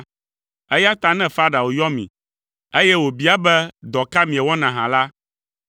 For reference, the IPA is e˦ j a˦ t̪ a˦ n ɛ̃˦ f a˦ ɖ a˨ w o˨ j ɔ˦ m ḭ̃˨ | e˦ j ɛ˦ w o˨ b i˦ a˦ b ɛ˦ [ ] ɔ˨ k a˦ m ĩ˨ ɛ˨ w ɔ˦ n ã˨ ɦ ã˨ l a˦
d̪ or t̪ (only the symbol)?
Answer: d̪